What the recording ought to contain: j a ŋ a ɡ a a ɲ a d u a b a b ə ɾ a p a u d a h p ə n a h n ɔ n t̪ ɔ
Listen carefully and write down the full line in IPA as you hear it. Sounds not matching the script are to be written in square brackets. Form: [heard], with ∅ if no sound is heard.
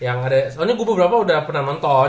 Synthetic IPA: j a ŋ a [d] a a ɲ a [ɡ] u a b [ə] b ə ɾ a p a u d a h p ə n a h n ɔ n t̪ ɔ

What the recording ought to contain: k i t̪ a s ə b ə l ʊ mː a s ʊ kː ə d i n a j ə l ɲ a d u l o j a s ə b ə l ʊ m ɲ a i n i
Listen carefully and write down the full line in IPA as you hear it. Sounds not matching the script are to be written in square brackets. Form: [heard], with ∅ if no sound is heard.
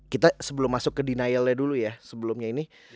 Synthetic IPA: k i t̪ a s ə b ə l ʊ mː a s ʊ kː ə d i n a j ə l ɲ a d u l [u] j a s ə b ə l ʊ m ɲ a i n i

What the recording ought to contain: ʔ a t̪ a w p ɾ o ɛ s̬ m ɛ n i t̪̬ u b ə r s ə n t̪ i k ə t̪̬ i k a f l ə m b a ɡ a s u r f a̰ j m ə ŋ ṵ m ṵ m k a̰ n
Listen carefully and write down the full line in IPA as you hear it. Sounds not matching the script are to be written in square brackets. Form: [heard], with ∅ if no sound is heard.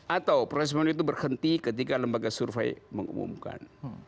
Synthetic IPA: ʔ a t̪ a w p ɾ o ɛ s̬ m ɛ n i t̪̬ u b ə r [h] ə n t̪ i k ə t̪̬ i k a [∅] l ə m b a ɡ a s u r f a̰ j m ə ŋ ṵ m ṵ m k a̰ n

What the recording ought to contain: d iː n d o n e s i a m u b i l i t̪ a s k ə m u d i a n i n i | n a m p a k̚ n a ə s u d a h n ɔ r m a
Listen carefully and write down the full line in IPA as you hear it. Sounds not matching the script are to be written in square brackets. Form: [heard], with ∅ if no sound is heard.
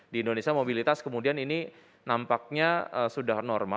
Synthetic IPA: d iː n d o n e s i a m [o] b i l i t̪ a s k ə m u d i a n i n i | n a m p a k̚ [ɲ] a ə s u d a h n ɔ r m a

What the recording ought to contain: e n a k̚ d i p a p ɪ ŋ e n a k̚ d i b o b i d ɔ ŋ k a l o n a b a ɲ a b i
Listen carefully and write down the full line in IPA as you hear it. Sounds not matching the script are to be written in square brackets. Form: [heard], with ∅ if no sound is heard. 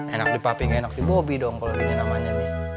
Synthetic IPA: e n a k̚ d i p a p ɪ ŋ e n a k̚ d i b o b i d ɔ ŋ k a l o n a [m] a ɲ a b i

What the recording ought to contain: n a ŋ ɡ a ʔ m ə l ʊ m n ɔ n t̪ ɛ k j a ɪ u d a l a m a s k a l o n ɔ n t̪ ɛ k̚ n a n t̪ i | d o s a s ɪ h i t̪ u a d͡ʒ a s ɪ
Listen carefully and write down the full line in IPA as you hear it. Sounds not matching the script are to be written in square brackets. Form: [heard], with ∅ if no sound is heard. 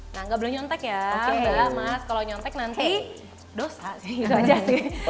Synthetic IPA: n a ŋ ɡ a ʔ [b] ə l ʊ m [ɲ] ɔ n t̪ ɛ k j a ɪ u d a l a m a s k a l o [ɲ] ɔ n t̪ ɛ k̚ n a n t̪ i | d o s a s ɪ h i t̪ u a d͡ʒ a s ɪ

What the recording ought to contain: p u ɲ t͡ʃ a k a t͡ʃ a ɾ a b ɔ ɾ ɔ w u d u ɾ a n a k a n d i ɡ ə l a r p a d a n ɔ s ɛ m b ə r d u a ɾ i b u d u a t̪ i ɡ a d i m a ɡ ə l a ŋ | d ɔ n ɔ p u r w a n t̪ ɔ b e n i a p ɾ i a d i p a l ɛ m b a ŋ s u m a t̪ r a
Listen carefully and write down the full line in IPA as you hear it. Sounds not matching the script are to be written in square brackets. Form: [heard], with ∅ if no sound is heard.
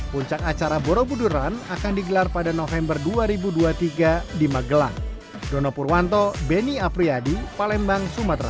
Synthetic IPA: p u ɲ t͡ʃ a k a t͡ʃ a ɾ a b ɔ ɾ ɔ [b] u d u ɾ a n a k a n d i ɡ ə l a r p a d a n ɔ [f] ɛ m b ə r d u a ɾ i b u d u a t̪ i ɡ a d i m a ɡ ə l a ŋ | d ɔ n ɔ p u r w a n t̪ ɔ b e n i a p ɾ i a d i p a l ɛ m b a ŋ s u m a t̪ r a

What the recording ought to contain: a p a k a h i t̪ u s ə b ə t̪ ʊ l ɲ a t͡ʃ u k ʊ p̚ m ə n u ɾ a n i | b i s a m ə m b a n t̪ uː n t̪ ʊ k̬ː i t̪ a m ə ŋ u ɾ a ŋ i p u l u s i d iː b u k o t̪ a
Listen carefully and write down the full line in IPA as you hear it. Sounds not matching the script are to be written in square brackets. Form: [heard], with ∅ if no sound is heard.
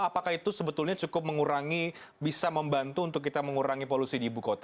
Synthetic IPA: a p a k a h i t̪ u s ə b ə t̪ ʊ l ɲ a t͡ʃ u k ʊ p̚ m ə [ŋ] u ɾ a [ŋ] i | b i s a m ə m b a n t̪ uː n t̪ ʊ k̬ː i t̪ a m ə ŋ u ɾ a ŋ i p [o] l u s i d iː b u k o t̪ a

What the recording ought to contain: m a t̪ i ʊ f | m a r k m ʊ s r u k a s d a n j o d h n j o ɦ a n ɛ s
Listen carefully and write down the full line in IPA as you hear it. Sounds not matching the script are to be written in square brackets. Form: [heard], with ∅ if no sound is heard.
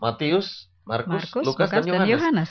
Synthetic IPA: m a t̪ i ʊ [s] | m a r k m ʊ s [l] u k a s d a n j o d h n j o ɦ a n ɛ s

